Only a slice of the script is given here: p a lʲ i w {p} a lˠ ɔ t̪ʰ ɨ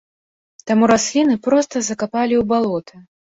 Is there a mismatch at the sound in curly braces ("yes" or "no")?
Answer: yes